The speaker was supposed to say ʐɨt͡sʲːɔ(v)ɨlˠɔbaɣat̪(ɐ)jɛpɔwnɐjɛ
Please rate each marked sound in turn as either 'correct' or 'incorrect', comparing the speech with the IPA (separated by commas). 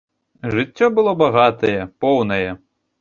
incorrect, correct